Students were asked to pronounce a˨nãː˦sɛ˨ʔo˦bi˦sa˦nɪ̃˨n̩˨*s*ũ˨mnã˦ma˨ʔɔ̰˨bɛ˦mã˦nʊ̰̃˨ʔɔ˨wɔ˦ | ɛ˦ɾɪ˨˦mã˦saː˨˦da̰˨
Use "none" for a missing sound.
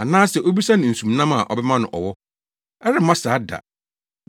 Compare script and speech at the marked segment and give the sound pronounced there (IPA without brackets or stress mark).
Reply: s